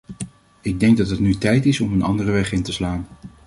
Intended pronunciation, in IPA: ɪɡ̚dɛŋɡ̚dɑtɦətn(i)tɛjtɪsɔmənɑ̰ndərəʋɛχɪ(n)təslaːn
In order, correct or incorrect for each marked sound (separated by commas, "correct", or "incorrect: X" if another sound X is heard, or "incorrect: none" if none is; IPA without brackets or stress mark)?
incorrect: y, correct